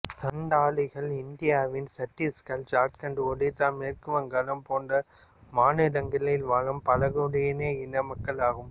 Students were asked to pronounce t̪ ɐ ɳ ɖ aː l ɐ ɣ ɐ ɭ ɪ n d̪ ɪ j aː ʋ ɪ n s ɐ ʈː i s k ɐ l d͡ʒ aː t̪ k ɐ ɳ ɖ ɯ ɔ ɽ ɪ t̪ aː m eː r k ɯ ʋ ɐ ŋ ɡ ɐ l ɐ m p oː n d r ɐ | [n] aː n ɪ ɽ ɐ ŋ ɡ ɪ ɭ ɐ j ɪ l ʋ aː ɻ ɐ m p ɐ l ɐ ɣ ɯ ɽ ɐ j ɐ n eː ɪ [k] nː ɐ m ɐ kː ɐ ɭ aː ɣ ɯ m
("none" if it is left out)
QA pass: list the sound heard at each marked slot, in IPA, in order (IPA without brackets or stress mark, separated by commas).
m, none